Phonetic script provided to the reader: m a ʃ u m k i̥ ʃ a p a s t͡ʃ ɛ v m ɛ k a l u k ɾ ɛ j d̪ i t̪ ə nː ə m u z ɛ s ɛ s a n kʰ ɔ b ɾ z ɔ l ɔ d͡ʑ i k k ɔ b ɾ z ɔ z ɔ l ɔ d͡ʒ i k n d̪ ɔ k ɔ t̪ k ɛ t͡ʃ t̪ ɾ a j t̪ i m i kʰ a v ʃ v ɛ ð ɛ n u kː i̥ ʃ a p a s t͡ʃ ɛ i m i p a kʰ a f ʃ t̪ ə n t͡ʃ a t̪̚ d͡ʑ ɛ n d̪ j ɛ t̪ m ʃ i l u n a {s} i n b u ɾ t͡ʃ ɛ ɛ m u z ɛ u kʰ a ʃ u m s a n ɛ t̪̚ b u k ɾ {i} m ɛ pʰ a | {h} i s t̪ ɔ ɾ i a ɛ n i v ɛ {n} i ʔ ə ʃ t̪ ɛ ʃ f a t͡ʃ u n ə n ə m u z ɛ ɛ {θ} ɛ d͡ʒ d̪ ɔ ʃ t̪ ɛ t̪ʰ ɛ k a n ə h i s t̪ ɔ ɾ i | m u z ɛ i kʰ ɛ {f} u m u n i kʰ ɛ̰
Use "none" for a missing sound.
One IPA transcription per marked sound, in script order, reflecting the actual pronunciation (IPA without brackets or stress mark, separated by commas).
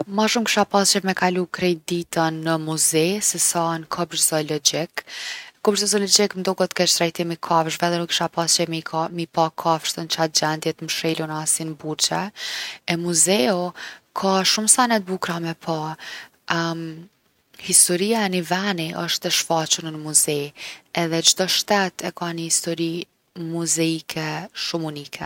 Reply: s, a, h, n, ð, ʃ